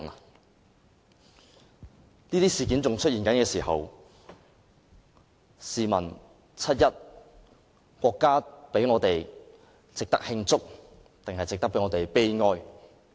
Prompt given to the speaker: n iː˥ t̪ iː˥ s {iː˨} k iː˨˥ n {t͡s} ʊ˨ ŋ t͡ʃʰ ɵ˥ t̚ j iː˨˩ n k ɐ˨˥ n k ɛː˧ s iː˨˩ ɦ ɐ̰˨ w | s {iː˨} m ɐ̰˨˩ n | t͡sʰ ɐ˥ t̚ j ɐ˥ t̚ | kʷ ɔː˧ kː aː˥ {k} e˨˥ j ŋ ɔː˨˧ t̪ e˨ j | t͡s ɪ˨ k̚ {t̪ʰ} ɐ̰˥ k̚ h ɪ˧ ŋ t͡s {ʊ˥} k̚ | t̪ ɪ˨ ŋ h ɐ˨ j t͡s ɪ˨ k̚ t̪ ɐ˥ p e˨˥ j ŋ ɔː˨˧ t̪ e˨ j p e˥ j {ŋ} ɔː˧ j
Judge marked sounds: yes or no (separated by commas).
yes, yes, yes, no, no, yes, yes